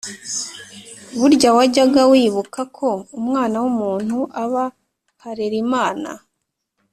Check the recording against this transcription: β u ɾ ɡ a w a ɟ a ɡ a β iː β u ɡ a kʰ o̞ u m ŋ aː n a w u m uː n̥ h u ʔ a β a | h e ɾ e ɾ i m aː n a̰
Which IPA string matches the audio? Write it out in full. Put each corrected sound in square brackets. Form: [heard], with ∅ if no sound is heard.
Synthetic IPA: β u ɾ [ɟ] a w a ɟ a ɡ a [w] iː β u [k] a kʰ o̞ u m ŋ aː n a w u m uː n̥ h u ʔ a β a | h [a] ɾ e ɾ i m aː n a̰